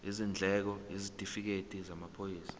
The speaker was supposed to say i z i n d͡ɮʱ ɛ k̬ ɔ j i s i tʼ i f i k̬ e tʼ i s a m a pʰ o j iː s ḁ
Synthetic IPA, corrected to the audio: i z i n d͡ɮʱ ɛ k̬ ɔ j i z i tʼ i f i k̬ e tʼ i z a m a pʰ o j iː s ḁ